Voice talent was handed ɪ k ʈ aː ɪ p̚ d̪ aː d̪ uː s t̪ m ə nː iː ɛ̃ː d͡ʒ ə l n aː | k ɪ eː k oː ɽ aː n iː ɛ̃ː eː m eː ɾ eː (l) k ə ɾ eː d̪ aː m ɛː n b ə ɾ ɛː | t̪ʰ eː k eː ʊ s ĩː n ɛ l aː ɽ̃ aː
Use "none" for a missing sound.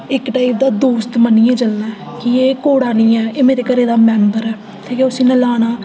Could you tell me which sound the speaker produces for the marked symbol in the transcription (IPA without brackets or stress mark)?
none